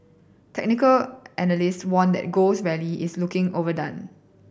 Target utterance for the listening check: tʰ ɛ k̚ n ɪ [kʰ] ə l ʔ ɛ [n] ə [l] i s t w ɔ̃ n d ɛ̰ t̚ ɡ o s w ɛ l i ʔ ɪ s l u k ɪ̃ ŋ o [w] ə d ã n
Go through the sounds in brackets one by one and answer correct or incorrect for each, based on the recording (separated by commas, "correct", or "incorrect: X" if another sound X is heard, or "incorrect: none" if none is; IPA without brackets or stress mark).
incorrect: k, correct, correct, incorrect: v